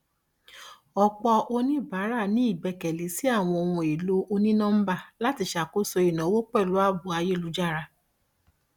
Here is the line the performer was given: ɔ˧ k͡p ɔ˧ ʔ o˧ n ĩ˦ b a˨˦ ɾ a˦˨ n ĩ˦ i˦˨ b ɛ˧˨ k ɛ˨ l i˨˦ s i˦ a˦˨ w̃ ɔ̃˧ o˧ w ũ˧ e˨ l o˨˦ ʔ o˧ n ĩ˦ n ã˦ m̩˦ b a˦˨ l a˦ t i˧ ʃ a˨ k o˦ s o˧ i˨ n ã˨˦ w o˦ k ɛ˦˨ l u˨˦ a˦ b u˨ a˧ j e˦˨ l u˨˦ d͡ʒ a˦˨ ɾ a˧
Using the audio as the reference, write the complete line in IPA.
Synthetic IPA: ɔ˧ k͡p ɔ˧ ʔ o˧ n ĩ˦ b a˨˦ ɾ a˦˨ n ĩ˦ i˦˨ b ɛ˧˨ k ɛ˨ l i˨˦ s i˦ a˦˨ w̃ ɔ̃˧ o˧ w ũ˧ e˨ l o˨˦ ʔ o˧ n ĩ˦ n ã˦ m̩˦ b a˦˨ l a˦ t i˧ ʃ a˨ k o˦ s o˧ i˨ n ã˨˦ w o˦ k͡p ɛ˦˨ l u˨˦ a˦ b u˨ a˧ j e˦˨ l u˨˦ d͡ʒ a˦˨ ɾ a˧